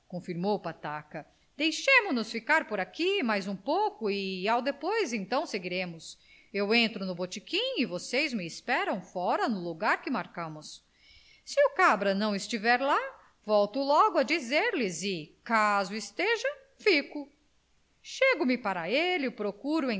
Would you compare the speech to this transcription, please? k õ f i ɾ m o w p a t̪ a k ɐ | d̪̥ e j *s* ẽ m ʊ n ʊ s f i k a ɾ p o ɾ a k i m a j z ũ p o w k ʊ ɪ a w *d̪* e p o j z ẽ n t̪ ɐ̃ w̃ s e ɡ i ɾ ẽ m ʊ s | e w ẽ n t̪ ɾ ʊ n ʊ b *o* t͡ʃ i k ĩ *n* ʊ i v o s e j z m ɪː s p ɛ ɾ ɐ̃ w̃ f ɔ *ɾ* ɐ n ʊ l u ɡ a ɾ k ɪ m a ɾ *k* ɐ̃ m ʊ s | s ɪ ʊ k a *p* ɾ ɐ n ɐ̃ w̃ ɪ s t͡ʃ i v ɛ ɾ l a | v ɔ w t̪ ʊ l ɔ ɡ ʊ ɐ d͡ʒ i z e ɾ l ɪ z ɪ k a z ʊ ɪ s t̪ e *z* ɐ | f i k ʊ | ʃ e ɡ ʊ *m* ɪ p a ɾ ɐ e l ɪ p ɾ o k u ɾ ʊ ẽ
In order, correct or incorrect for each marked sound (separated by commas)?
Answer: incorrect, correct, correct, incorrect, correct, correct, incorrect, incorrect, correct